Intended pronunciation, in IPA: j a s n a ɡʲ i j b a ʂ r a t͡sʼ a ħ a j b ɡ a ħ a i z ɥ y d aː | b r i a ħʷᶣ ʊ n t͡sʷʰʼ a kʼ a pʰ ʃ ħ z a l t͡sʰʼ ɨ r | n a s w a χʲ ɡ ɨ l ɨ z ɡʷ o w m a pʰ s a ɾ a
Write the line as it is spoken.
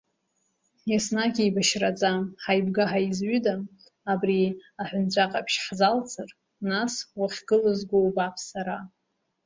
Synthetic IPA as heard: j a s n a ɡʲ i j b a ʃ r a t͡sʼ a ħ a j b ɡ a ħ a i z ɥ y d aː | b r i a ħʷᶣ ʊ n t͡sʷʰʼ a qʼ a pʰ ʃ ħ z a l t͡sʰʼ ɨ r | n a s w a χʲ ɡ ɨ l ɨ z ɡʷ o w b a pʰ s a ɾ a